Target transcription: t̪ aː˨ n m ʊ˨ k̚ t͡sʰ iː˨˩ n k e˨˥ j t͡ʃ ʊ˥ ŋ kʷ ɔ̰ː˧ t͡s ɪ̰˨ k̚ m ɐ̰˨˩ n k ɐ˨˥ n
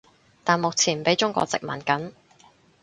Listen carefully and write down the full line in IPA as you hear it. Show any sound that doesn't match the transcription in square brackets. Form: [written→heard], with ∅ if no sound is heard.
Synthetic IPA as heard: t̪ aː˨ n m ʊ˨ k̚ t͡sʰ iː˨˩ n [k→p] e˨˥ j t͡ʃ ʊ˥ ŋ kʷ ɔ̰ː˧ t͡s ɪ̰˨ k̚ m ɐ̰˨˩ n k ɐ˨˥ n